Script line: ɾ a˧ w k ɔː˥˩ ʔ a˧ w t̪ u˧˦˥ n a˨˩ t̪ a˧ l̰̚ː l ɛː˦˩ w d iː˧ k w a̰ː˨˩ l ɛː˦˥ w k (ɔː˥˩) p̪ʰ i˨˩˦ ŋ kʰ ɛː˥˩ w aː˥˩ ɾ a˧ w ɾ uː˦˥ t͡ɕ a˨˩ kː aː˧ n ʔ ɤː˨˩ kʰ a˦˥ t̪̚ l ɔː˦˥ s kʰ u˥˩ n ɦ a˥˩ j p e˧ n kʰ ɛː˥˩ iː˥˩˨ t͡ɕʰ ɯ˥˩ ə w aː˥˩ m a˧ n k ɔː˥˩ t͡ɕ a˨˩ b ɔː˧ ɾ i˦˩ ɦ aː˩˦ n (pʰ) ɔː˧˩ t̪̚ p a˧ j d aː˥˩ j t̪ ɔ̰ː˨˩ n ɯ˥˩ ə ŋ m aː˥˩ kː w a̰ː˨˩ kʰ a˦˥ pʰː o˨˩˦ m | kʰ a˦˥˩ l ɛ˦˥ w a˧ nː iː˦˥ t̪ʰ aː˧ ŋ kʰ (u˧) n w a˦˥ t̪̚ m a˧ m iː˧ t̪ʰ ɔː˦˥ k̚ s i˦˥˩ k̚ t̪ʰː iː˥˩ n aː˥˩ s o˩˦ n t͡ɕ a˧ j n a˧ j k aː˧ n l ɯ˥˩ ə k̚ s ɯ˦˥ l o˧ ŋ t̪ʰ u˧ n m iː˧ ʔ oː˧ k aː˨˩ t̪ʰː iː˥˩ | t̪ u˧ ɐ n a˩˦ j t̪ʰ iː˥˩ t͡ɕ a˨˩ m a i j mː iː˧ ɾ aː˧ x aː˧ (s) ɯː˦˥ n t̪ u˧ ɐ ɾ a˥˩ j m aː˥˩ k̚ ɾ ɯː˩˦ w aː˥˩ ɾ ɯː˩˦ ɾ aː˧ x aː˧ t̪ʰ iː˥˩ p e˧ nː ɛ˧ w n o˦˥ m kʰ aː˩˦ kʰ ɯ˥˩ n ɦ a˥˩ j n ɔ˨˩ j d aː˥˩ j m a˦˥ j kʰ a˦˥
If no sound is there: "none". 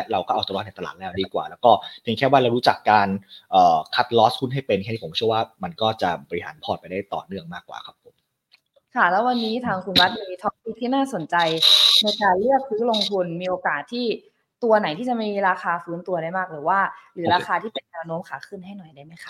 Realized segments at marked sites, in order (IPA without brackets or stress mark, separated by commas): ɔː˥˩, pʰ, u˧, f